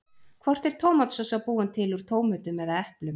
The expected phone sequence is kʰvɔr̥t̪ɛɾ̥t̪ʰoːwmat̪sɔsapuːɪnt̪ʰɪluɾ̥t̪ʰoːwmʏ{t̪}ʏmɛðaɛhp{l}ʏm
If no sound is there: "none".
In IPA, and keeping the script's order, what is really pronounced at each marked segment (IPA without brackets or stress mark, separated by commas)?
t̪, l